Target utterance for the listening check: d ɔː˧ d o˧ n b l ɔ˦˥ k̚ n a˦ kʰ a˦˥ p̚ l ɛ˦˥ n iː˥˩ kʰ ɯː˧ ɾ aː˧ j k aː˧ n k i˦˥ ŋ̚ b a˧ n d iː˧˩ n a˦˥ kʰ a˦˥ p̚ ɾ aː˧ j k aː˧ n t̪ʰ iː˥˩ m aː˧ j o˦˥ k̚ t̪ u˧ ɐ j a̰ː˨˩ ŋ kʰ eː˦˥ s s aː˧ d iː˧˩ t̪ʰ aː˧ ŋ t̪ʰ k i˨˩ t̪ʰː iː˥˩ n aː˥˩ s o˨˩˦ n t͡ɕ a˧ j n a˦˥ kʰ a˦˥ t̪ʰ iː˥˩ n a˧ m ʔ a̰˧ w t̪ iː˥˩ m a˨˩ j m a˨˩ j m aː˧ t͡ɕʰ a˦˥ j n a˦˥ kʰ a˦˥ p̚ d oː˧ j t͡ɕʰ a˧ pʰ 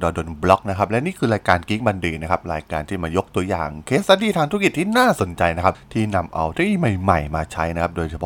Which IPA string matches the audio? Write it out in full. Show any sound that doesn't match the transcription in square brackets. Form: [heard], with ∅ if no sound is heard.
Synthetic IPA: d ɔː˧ d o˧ n b l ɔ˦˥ k̚ n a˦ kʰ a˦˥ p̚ l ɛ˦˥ n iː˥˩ kʰ ɯː˧ ɾ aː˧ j k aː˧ n k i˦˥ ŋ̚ b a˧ n d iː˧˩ n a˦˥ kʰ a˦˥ p̚ ɾ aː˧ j k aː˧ n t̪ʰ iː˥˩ m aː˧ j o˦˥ k̚ t̪ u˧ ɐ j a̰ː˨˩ ŋ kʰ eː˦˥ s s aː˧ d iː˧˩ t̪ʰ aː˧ ŋ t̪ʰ k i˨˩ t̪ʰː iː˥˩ n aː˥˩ s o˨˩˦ n t͡ɕ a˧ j n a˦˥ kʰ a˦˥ t̪ʰ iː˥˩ n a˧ m ʔ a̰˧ w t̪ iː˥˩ m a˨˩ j m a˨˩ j m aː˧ t͡ɕʰ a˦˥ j n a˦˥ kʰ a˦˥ p̚ d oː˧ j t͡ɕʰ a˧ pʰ